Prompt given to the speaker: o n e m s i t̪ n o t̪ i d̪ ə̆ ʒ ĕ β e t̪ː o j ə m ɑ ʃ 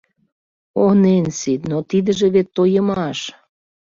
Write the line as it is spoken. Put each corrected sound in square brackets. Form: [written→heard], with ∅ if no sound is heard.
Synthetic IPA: o n e [m→n] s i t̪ n o t̪ i d̪ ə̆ ʒ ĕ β e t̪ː o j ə m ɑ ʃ